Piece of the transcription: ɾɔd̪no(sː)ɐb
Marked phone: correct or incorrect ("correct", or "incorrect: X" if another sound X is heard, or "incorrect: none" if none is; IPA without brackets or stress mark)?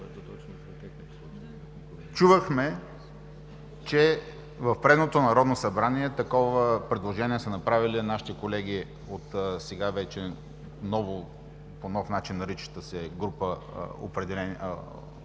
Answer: incorrect: s